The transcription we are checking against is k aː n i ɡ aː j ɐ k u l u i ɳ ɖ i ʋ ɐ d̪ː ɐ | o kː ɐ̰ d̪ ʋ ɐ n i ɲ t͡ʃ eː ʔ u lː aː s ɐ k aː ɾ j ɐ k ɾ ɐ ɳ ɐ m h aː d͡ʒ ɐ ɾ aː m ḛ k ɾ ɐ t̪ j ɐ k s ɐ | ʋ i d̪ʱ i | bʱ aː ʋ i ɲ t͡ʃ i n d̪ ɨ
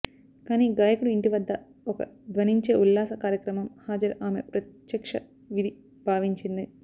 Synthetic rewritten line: k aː n i ɡ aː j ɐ k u ɽ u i ɳ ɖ i ʋ ɐ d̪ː ɐ | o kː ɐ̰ d̪ ʋ ɐ n i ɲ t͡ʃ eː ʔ u lː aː s ɐ k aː ɾ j ɐ k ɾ ɐ m ɐ m h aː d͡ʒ ɐ ɾ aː m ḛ p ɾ ɐ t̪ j ɐ k ʂ ɐ | ʋ i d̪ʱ i | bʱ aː ʋ i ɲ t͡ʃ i n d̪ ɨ